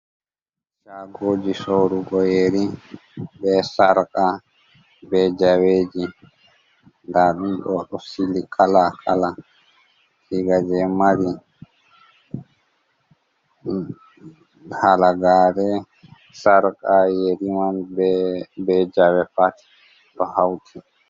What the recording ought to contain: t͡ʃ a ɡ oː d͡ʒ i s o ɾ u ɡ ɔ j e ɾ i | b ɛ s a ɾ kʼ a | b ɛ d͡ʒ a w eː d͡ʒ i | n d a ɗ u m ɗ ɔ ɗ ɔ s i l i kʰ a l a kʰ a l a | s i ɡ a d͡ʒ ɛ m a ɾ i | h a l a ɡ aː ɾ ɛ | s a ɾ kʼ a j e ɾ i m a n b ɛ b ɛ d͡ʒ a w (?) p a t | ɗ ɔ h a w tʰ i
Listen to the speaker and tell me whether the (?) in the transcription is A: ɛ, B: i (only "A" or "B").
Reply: A